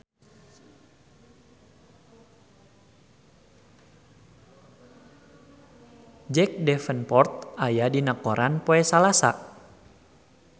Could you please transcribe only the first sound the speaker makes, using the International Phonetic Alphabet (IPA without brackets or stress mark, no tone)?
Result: d͡ʒ